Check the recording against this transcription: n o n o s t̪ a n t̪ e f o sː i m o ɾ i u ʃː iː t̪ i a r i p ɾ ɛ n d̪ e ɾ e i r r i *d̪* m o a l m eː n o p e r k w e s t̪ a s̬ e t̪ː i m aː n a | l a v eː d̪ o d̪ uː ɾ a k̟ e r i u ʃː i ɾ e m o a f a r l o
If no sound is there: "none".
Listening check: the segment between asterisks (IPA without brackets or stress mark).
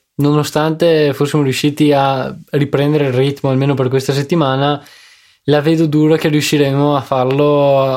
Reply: t̪